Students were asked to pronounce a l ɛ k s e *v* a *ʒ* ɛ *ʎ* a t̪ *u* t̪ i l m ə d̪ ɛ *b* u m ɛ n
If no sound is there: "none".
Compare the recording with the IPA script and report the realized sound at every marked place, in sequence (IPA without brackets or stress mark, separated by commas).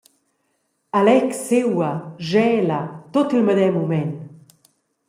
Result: w, ʒ, l, o, m